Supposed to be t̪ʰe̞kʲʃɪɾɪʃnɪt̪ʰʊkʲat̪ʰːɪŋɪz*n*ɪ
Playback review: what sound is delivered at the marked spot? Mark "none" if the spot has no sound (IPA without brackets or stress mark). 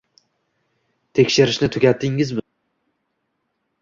m